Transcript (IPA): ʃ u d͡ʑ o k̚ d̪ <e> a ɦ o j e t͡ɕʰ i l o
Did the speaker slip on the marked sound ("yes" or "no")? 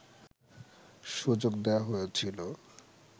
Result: no